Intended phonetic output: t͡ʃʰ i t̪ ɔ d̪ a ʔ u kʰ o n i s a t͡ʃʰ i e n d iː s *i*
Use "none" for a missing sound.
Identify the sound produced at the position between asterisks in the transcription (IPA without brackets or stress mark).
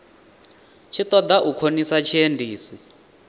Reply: i